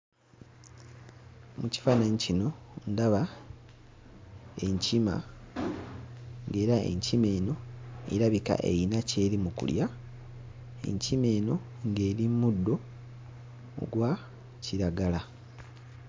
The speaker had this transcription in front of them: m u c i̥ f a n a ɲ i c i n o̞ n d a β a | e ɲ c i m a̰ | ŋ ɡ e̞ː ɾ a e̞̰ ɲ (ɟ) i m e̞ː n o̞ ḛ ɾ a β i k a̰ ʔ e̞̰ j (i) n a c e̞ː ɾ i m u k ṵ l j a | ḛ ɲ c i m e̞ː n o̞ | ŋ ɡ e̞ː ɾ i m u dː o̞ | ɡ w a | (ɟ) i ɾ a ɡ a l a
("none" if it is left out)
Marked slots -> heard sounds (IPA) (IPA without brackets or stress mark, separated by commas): c, i, c